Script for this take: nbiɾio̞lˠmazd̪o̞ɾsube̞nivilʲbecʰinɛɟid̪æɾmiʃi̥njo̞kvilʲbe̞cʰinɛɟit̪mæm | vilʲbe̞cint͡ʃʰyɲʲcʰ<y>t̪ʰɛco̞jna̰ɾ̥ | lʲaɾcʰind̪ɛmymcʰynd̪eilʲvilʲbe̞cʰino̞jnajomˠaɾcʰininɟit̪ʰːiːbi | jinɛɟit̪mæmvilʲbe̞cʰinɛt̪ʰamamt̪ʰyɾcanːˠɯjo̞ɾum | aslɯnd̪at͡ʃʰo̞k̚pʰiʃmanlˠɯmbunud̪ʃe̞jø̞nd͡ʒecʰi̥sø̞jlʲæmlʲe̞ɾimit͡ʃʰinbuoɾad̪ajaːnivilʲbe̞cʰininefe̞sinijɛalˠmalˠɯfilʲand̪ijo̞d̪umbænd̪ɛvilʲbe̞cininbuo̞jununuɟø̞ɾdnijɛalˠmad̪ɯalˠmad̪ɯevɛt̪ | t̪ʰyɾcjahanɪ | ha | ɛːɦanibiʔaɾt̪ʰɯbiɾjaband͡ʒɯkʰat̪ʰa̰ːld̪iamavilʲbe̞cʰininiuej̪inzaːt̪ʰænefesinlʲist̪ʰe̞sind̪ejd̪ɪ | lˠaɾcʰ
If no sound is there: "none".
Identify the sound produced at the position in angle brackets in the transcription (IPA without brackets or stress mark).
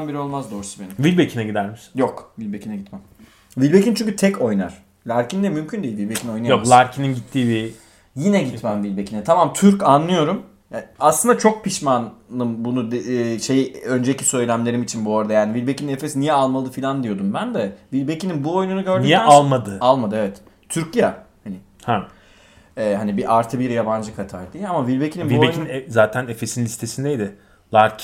y